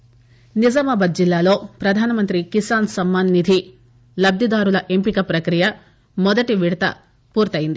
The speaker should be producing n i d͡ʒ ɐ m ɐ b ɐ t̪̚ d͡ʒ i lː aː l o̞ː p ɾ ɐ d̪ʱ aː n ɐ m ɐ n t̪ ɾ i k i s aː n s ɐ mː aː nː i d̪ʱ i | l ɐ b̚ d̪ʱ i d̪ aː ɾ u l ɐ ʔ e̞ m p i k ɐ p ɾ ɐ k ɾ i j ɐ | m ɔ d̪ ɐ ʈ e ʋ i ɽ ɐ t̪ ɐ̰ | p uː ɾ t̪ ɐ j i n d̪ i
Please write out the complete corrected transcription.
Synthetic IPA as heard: n i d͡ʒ ɐ m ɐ b ɐ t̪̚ d͡ʒ i lː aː l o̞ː p ɾ ɐ d̪ʱ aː n ɐ m ɐ n t̪ ɾ i k i s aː n s ɐ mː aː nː i d̪ʱ i | l ɐ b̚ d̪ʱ i d̪ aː ɾ u l ɐ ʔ e̞ m p i k ɐ p ɾ ɐ k ɾ i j ɐ | m ɔ d̪ ɐ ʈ i ʋ i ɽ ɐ t̪ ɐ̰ | p uː ɾ t̪ ɐ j i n d̪ i

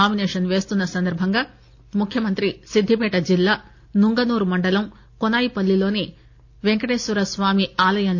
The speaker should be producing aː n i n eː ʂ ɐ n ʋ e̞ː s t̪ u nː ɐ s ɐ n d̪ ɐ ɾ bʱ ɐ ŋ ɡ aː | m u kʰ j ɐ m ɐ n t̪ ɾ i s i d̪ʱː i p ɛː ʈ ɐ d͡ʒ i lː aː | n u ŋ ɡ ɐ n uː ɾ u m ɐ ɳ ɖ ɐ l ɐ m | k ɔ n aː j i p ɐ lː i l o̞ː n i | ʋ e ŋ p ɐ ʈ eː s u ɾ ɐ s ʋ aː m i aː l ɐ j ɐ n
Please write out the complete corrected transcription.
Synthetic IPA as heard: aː m i n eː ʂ ɐ n ʋ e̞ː s t̪ u nː ɐ s ɐ n d̪ ɐ ɾ bʱ ɐ ŋ ɡ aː | m u kʰ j ɐ m ɐ n t̪ ɾ i s i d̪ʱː i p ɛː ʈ ɐ d͡ʒ i lː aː | n u ŋ ɡ ɐ n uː ɾ u m ɐ ɳ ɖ ɐ l ɐ m | k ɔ n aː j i p ɐ lː i l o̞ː n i | ʋ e ŋ k ɐ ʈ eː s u ɾ ɐ s ʋ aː m i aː l ɐ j ɐ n

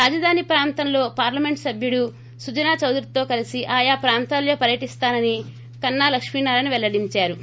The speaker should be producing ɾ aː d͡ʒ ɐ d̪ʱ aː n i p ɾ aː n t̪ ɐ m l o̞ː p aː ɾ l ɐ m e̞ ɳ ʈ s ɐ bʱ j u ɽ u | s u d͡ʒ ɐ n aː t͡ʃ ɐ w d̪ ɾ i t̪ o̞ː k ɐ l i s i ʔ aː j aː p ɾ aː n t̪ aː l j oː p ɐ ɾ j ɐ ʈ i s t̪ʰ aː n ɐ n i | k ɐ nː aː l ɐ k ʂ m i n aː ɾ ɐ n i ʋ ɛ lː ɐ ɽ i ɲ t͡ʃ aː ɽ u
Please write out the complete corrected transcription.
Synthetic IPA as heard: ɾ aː d͡ʒ ɐ d̪ʱ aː n i p ɾ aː n t̪ ɐ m l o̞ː p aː ɾ l ɐ m e̞ ɳ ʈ s ɐ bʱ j u ɽ u | s u d͡ʒ ɐ n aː t͡ʃ ɐ w d̪ ɾ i t̪ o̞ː k ɐ l i s i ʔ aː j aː p ɾ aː n t̪ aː l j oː p ɐ ɾ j ɐ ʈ i s t̪ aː n ɐ n i | k ɐ nː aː l ɐ k ʂ m i n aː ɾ ɐ n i ʋ ɛ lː ɐ ɽ i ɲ t͡ʃ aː ɾ u

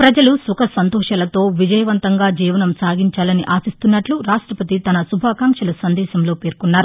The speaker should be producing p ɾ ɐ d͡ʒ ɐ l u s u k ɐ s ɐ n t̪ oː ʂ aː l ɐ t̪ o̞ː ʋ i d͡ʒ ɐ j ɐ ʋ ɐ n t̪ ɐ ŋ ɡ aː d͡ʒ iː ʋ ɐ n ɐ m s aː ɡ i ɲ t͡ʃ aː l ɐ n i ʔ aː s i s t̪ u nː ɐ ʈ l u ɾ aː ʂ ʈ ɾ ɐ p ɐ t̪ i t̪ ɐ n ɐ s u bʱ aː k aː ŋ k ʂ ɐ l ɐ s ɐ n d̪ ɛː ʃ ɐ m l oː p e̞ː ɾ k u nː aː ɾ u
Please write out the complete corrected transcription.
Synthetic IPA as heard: p ɾ ɐ d͡ʒ ɐ l u s u k ɐ s ɐ n t̪ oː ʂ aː l ɐ t̪ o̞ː ʋ i d͡ʒ ɐ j ɐ ʋ ɐ n t̪ ɐ ŋ ɡ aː d͡ʒ iː ʋ ɐ n ɐ m s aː ɡ i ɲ t͡ʃ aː l ɐ n i ʔ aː s i s t̪ u nː ɐ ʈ l u ɾ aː ʂ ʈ ɾ ɐ p ɐ t̪ i t̪ ɐ n ɐ s u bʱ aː k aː ŋ k ʂ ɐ l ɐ s ɐ n d̪ ɛː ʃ ɐ m l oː p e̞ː ɾ k u nː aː ɾ u

